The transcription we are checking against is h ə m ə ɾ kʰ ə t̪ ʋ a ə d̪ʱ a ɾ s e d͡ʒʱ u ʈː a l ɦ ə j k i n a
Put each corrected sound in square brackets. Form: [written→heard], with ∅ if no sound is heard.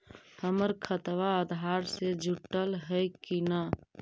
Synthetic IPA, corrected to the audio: h ə m ə ɾ kʰ ə t̪ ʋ a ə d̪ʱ a ɾ s e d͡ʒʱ u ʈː [a→ə] l ɦ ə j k i n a